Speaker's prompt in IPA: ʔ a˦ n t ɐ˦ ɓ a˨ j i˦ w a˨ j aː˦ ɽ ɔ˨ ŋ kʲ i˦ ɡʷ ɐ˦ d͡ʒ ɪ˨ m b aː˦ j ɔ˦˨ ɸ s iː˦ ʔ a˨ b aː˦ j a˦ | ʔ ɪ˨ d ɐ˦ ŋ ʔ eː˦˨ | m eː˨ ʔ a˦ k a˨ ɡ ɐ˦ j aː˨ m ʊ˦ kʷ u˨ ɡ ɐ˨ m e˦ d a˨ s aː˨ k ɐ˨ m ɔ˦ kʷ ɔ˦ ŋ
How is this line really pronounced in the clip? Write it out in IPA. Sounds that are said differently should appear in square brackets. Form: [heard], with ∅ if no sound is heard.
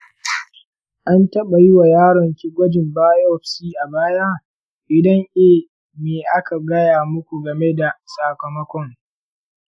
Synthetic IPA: ʔ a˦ n t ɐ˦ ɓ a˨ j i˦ w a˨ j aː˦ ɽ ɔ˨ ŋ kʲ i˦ ɡʷ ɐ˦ d͡ʒ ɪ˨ m b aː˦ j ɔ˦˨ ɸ s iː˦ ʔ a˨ b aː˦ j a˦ | ʔ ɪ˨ d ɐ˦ ŋ ʔ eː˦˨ | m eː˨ ʔ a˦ k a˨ ɡ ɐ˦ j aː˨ m ʊ˦ kʷ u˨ ɡ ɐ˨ m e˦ d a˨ s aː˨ k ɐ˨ m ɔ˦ kʷ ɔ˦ ŋ